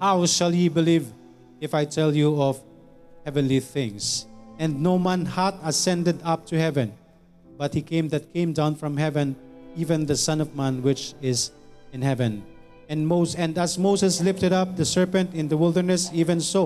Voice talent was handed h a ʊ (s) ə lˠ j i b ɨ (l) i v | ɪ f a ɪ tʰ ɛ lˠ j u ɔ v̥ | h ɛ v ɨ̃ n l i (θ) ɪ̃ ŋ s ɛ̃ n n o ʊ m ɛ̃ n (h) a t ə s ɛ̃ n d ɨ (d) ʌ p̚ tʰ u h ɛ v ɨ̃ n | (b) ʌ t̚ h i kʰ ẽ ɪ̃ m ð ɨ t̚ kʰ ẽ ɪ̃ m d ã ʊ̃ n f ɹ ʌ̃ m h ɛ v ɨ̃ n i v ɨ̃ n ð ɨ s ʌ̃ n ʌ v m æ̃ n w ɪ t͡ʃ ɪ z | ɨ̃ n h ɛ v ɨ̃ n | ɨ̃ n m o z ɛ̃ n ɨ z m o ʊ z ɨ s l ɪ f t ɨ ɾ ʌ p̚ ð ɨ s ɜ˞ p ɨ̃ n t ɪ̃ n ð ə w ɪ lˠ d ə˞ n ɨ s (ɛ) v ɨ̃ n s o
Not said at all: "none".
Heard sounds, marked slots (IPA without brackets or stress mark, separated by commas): ʃ, l, θ, h, d, b, i